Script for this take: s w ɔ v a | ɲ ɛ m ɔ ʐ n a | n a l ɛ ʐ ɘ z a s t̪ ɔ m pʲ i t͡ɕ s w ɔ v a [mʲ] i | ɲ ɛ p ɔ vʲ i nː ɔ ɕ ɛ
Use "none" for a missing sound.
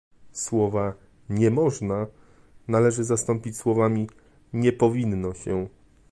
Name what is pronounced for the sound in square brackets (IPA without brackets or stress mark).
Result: mʲ